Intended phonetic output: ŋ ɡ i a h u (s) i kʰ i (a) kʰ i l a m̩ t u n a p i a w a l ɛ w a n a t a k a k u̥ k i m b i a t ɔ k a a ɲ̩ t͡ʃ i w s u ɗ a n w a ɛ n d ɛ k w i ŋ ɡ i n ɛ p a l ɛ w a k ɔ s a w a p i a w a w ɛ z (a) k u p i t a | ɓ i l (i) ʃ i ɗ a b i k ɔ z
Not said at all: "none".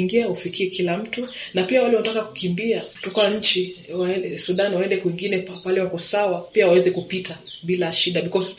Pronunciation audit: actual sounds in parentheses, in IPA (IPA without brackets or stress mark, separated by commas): f, ɛ, ɛ, a